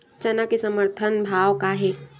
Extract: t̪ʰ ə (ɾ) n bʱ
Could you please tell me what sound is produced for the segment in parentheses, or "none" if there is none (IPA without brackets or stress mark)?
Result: none